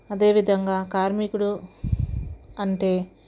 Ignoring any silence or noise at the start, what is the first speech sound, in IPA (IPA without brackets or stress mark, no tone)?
ɐ